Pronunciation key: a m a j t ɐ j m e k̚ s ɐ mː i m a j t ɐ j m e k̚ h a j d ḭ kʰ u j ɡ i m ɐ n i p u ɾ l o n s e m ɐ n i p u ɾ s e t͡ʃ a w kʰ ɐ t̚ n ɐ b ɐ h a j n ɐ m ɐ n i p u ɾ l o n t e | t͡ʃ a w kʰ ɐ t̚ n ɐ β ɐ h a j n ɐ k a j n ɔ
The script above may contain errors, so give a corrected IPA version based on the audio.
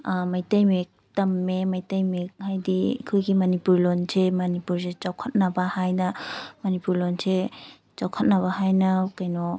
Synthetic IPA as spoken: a m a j t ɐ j m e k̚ t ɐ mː e m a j t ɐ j m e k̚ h a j d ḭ kʰ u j ɡ i m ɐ n i p u ɾ l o n s e m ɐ n i p u ɾ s e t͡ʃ a w kʰ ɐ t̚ n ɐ b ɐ h a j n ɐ m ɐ n i p u ɾ l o n s e | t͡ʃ a w kʰ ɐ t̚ n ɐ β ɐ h a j n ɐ k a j n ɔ